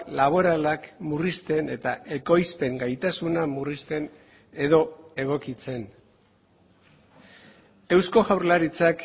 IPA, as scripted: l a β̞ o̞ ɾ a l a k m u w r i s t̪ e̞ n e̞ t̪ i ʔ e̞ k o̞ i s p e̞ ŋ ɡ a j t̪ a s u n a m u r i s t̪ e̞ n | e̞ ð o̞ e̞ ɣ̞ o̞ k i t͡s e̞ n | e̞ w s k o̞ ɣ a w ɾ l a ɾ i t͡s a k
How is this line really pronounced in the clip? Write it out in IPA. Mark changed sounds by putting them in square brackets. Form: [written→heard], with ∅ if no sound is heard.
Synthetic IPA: l a β̞ o̞ ɾ a l a k m u [w→∅] r i s t̪ e̞ n e̞ t̪ [i→a] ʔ e̞ k o̞ [i→j] s p e̞ ŋ ɡ a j t̪ a s u n a m u r i s t̪ e̞ n | e̞ ð o̞ e̞ ɣ̞ o̞ k i t͡s e̞ n | e̞ w s k o̞ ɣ a w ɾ l a ɾ i t͡s a k